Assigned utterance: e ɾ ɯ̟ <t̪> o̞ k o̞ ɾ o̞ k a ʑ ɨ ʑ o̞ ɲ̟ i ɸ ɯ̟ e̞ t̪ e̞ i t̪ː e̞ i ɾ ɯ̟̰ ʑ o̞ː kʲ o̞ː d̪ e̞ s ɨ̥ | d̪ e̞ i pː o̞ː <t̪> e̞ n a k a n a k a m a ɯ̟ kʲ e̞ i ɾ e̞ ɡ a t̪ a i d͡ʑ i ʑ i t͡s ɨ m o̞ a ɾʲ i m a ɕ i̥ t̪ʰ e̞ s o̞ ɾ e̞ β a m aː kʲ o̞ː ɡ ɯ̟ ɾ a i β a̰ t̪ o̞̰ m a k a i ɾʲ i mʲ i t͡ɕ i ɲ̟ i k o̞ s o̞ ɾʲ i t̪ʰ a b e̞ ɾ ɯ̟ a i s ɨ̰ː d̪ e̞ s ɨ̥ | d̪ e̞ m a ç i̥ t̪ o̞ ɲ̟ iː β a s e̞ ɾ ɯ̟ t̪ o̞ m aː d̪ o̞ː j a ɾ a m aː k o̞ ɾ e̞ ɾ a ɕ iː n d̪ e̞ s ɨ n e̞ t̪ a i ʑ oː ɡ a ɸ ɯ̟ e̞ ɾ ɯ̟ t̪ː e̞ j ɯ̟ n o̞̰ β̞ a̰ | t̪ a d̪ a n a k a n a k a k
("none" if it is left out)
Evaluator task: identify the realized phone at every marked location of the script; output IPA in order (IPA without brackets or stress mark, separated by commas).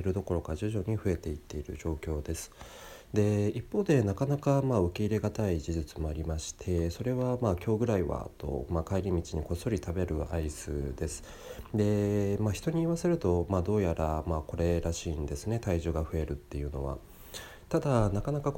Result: d̪, d̪